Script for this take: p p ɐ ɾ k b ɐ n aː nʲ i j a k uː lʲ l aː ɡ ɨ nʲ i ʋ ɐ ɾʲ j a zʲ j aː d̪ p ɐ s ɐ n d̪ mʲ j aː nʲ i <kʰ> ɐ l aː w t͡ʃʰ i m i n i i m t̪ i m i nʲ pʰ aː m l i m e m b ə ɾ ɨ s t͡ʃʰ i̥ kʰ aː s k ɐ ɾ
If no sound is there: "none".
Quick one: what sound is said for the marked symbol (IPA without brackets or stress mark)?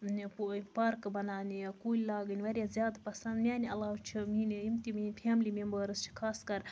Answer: none